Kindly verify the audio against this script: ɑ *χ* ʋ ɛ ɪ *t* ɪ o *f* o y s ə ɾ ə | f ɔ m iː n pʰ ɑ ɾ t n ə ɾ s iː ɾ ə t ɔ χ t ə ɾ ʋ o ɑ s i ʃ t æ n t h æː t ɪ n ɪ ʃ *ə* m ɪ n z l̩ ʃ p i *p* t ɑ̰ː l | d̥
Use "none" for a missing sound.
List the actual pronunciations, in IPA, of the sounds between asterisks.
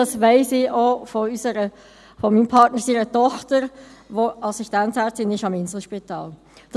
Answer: s, s, f, ɑ, none

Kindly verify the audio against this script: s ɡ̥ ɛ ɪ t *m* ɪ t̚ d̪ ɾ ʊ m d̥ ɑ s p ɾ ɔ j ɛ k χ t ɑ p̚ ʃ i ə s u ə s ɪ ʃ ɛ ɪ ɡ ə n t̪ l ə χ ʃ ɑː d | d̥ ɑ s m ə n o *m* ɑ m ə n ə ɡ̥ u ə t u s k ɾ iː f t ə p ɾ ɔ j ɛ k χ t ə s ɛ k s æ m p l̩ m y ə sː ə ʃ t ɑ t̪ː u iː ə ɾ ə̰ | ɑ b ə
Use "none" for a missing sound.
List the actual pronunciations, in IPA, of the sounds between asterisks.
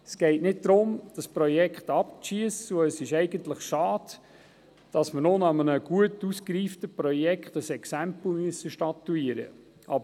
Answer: n, n

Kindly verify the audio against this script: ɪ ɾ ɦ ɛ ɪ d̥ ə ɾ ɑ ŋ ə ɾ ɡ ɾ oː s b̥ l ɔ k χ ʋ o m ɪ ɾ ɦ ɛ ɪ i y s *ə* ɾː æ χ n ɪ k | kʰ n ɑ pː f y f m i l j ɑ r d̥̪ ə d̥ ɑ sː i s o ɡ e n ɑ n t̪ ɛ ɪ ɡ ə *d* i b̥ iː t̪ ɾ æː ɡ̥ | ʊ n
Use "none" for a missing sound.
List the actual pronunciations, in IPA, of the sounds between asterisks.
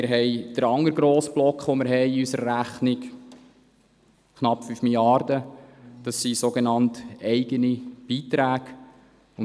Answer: ə, n

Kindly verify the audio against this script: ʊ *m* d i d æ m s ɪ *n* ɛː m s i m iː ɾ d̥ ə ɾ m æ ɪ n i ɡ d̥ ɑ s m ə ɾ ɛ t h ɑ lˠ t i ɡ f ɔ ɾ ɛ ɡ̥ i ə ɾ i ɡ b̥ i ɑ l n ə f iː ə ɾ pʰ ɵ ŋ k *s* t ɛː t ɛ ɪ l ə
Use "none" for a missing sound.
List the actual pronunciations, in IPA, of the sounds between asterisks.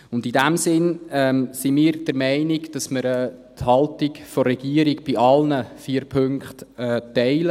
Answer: n, n, χ

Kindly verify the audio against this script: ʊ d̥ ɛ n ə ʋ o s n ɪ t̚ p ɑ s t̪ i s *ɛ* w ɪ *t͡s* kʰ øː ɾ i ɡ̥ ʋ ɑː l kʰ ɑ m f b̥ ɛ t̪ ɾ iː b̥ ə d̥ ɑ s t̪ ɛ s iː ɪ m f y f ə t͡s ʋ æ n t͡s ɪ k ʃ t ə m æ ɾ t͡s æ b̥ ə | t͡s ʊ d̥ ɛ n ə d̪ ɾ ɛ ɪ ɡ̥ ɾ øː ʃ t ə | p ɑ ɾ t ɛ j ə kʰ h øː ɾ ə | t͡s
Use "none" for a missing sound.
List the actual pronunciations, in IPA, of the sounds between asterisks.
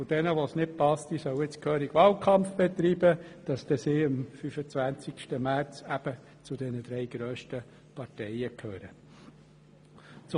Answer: œ, t͡s

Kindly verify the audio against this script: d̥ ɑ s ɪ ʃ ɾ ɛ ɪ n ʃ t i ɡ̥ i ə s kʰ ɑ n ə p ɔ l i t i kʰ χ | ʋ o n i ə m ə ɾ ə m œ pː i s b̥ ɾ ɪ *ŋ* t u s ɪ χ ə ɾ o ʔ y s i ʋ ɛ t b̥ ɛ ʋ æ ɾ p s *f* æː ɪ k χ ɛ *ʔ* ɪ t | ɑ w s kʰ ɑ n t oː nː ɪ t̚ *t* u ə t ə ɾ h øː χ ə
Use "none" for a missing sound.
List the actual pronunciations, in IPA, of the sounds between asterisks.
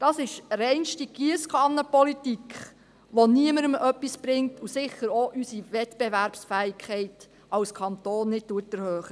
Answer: ŋ, f, none, t

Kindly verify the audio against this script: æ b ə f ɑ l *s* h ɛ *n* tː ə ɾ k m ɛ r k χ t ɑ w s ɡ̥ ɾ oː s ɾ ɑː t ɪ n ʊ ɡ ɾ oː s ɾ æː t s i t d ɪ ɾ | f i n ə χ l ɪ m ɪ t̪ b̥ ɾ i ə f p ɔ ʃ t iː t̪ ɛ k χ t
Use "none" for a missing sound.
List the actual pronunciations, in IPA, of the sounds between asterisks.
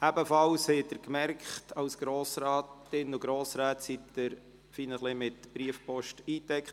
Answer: s, none

